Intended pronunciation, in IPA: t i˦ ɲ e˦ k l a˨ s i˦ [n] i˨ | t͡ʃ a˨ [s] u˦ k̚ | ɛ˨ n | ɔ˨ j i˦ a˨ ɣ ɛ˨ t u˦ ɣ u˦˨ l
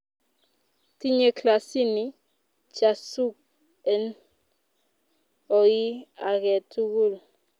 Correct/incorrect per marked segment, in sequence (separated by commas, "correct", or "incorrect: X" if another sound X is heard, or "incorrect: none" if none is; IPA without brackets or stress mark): correct, correct